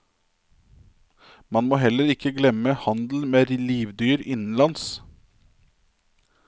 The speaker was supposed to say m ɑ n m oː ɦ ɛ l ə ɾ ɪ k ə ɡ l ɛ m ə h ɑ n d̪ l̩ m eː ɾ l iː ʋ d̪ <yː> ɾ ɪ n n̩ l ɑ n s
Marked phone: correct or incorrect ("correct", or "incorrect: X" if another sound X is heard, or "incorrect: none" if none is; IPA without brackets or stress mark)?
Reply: correct